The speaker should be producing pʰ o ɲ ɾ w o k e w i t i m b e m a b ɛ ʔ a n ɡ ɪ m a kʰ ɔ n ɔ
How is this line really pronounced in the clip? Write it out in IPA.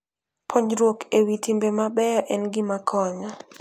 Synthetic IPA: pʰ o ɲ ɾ w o k e w i t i m b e m a b ɛ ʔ ɛ n ɡ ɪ m a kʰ ɔ ɲ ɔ